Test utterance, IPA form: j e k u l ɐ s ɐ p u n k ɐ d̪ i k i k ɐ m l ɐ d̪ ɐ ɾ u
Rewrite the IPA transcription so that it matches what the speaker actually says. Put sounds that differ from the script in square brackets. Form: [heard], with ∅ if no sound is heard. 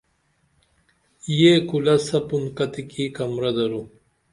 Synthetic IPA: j e k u l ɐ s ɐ p u n k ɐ [t̪] i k i k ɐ m [ɾ] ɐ d̪ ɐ ɾ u